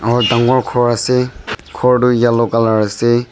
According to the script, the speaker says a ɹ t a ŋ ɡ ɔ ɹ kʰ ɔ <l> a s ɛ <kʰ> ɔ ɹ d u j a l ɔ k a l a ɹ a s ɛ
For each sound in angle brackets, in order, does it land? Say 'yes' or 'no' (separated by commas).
no, yes